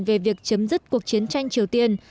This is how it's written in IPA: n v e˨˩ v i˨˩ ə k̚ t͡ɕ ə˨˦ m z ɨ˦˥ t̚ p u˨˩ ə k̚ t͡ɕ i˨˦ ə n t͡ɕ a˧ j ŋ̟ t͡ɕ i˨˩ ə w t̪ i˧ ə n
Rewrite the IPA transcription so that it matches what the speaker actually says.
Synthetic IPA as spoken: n v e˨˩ v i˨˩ ə k̚ t͡ɕ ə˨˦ m z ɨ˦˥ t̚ k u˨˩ ə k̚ t͡ɕ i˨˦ ə n t͡ɕ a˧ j ŋ̟ t͡ɕ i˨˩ ə w t̪ i˧ ə n